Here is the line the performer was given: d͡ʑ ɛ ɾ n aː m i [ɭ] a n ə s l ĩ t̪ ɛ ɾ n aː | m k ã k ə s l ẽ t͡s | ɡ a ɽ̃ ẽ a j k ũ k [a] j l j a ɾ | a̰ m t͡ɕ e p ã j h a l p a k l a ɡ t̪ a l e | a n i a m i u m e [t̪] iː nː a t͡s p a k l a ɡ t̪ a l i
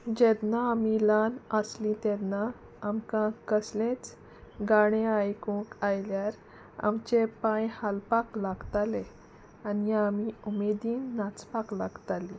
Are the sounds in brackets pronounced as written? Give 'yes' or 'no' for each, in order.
no, yes, no

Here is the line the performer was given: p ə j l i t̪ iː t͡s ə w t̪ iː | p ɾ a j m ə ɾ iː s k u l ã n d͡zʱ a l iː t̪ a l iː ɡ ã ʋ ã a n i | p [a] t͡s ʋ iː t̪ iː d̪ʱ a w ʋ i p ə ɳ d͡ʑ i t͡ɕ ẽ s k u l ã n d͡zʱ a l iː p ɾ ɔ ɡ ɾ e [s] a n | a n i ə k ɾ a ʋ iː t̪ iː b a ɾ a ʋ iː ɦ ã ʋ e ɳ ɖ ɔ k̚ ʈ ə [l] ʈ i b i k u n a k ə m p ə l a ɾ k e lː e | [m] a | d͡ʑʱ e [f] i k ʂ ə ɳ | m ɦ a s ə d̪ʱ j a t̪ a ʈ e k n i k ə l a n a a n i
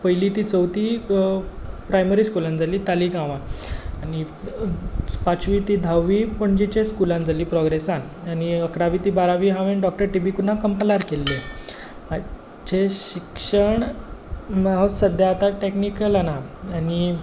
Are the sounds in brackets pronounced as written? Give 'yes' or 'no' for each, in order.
yes, yes, no, yes, no

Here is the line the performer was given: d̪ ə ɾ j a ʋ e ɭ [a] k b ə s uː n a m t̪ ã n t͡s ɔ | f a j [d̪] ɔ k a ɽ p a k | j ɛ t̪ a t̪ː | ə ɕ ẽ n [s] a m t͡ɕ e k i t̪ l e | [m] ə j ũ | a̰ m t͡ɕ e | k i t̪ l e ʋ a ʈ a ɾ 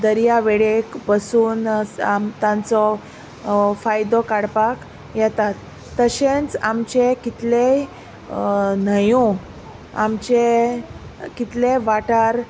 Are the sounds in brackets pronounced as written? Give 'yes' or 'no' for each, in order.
no, yes, no, no

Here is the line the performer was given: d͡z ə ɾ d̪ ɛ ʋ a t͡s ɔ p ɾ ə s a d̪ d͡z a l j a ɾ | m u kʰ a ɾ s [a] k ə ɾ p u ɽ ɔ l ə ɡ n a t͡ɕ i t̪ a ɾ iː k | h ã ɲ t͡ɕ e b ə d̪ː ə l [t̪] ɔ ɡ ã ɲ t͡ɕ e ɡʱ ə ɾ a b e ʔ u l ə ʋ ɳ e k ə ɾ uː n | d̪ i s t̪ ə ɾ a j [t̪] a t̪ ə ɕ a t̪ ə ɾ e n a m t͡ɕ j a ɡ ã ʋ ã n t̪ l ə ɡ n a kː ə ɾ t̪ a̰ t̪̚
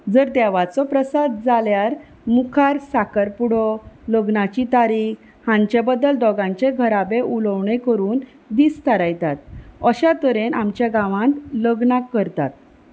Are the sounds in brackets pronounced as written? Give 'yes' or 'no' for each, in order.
yes, no, yes

